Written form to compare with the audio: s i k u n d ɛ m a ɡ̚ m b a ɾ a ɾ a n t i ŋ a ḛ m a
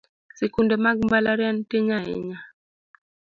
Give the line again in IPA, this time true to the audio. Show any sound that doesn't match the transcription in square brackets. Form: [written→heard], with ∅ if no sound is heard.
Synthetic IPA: s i k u n d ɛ m a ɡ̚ m b a [ɾ→l] a ɾ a n t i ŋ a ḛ [m→ɲ] a